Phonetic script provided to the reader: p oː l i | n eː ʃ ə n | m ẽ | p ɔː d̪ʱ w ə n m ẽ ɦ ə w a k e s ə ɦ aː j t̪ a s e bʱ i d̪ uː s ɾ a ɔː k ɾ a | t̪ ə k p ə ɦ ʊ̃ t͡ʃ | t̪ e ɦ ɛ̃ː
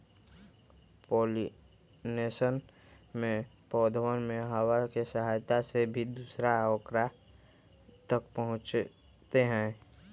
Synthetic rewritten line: p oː l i | n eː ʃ ə n | m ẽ | p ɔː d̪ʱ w ə n m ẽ ɦ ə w a k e s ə ɦ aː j t̪ a s e bʱ i d̪ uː s ɾ a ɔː k ɾ a | t̪ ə k p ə ɦ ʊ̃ t͡ʃ | t̪ e ɦ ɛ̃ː